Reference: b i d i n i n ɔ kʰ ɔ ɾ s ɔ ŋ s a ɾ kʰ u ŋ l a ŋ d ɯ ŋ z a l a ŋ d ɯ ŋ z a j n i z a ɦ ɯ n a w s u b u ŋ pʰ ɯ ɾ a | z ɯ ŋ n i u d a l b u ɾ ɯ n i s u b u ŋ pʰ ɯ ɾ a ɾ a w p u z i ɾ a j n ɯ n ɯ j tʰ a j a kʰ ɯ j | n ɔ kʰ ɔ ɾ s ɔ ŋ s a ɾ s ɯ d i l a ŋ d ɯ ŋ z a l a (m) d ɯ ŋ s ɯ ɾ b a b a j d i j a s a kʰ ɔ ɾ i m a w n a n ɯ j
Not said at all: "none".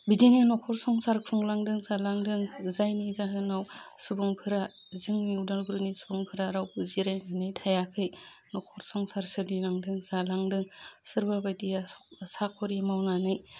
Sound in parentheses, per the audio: ŋ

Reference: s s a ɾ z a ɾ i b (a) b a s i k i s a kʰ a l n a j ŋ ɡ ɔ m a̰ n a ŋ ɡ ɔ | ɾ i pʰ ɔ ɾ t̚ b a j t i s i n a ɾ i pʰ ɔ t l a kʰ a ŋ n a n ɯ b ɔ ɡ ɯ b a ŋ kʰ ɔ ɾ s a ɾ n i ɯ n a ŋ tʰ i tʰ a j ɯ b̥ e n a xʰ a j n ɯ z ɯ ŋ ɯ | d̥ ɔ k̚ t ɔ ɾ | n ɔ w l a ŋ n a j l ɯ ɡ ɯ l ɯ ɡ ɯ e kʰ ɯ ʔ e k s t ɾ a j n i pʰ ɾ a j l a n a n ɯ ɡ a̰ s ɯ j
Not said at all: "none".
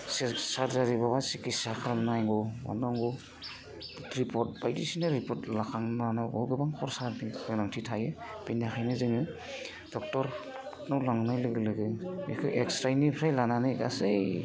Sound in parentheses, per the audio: a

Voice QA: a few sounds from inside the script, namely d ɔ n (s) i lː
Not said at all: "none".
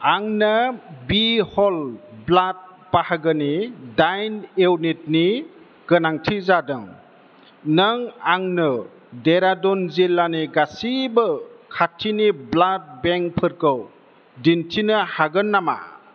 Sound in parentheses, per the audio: z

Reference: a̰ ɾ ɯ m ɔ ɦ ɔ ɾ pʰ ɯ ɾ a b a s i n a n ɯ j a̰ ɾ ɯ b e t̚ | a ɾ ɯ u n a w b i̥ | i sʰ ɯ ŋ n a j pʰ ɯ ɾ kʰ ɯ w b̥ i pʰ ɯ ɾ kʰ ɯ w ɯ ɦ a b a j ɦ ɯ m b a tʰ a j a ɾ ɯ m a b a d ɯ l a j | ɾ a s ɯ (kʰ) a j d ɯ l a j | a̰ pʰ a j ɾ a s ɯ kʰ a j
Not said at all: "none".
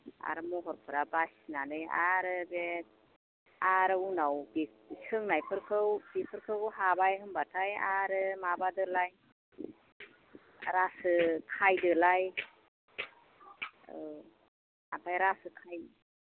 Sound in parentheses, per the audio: kʰ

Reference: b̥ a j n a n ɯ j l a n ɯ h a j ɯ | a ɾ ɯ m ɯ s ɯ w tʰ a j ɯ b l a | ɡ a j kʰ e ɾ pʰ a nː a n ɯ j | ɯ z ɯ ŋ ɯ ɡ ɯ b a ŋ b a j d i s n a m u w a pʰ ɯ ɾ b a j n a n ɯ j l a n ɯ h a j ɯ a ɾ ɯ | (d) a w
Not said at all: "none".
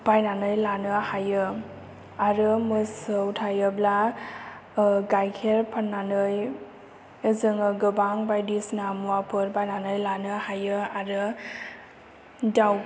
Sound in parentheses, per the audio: d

